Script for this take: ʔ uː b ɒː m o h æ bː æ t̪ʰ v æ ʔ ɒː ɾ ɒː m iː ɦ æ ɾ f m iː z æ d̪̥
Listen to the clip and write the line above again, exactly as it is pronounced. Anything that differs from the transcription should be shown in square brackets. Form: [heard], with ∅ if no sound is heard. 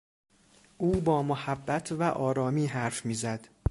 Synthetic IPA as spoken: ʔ uː b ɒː m o h æ bː æ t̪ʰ v æ ʔ ɒː ɾ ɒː m iː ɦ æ ɾ f m iː z æ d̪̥